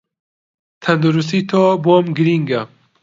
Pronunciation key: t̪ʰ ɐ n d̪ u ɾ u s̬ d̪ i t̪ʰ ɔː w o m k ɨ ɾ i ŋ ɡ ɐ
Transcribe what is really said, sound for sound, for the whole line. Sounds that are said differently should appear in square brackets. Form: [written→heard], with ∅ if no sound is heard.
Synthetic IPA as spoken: t̪ʰ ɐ n d̪ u ɾ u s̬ [d̪→t̪] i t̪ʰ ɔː [w→b] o m [k→ɡ] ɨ ɾ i ŋ ɡ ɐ